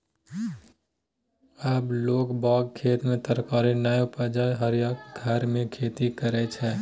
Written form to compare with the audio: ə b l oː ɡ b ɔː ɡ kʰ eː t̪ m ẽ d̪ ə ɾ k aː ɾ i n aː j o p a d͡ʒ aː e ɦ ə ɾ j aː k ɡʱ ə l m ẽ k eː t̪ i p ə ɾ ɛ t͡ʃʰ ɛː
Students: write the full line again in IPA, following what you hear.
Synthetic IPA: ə b l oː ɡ b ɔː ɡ kʰ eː t̪ m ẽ t̪ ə ɾ k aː ɾ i n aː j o p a d͡ʒ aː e ɦ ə ɾ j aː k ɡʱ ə ɾ m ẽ kʰ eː t̪ i k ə ɾ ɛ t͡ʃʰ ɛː